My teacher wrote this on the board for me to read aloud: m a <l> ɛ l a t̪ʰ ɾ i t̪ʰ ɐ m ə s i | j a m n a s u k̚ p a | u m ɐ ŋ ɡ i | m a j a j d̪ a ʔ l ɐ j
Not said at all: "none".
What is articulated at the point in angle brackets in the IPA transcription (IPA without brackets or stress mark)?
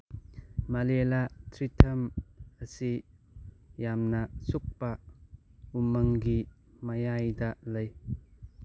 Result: l